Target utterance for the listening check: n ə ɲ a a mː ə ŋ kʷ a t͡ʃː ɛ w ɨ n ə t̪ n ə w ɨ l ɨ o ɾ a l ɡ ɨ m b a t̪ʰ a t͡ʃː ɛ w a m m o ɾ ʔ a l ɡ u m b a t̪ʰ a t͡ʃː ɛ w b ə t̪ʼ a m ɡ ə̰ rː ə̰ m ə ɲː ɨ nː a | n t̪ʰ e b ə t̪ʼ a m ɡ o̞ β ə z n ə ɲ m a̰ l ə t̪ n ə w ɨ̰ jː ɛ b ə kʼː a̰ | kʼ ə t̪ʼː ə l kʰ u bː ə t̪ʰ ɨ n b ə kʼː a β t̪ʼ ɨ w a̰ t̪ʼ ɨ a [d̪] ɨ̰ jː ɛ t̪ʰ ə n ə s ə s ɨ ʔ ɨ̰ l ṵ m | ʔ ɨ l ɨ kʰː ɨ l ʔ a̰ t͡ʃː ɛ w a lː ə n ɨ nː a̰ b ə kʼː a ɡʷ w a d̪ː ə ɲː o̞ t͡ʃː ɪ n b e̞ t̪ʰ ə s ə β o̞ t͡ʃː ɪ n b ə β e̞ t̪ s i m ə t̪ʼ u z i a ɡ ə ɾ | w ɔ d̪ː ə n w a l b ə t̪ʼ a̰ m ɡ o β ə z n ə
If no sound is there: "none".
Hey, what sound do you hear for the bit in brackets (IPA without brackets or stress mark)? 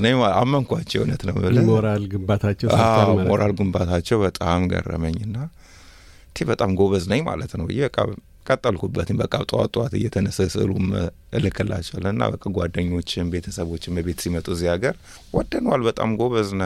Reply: t̪